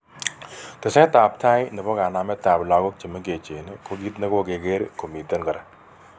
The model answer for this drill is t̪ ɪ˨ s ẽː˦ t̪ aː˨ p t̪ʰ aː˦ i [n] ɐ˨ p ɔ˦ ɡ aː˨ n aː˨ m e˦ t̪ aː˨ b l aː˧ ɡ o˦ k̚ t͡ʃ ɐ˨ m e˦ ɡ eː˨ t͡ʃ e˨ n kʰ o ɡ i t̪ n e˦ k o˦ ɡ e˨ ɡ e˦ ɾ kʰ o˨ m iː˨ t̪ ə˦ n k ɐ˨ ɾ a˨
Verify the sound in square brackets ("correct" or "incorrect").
correct